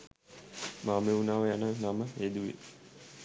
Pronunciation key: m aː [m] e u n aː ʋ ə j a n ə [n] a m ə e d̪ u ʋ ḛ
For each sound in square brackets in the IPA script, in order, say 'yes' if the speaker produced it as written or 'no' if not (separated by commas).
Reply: yes, yes